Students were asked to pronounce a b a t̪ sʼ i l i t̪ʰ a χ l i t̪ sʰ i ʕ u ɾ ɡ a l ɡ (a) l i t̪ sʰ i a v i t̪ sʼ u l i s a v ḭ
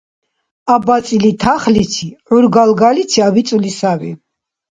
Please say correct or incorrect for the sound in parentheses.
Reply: correct